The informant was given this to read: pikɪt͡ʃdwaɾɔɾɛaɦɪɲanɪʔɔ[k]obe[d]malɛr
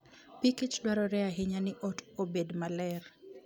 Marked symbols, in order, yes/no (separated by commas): no, yes